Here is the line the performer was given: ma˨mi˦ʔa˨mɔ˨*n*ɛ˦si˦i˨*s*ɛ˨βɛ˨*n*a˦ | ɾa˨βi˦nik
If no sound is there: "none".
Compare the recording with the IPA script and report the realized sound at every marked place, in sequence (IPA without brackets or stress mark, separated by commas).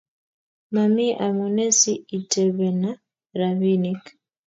n, t, n